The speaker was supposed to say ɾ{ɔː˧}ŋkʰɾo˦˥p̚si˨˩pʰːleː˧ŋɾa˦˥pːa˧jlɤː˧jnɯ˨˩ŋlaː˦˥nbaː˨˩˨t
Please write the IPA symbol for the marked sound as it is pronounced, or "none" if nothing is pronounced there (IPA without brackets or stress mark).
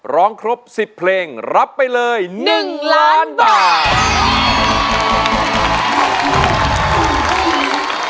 ɔː˦˥